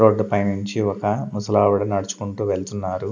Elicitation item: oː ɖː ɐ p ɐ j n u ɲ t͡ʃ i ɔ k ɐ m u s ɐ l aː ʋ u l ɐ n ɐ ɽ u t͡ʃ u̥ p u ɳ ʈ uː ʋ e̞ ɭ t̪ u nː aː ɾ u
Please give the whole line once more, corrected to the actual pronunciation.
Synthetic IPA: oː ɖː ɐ p ɐ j n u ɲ t͡ʃ i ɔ k ɐ m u s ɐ l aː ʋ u ɽ ɐ n ɐ ɽ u t͡ʃ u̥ k u ɳ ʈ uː ʋ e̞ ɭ t̪ u nː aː ɾ u

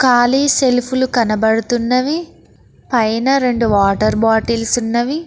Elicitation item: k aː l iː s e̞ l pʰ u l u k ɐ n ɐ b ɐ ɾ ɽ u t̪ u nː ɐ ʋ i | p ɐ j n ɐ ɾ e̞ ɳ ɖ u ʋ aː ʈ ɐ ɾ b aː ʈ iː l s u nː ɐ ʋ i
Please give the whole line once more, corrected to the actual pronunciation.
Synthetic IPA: k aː l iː s e̞ l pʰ u l u k ɐ n ɐ b ɐ ɽ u t̪ u nː ɐ ʋ i | p ɐ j n ɐ ɾ e̞ ɳ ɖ u ʋ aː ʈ ɐ ɾ b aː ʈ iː l s u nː ɐ ʋ i

